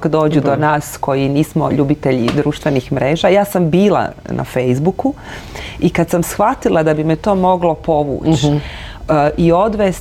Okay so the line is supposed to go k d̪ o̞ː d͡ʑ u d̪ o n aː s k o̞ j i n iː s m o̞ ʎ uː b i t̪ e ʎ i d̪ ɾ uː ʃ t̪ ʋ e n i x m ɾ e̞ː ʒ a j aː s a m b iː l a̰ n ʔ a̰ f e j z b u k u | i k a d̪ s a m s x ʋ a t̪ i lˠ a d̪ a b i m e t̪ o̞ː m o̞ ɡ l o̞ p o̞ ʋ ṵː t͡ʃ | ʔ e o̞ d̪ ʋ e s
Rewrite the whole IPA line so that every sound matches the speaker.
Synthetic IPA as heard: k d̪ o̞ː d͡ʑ u d̪ o n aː s k o̞ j i n iː s m o̞ ʎ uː b i t̪ e ʎ i d̪ ɾ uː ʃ t̪ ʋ e n i x m ɾ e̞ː ʒ a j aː s a m b iː l a̰ n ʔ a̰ f e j z b u k u | i k a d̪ s a m s x ʋ a t̪ i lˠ a d̪ a b i m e t̪ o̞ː m o̞ ɡ l o̞ p o̞ ʋ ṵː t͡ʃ | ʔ i o̞ d̪ ʋ e s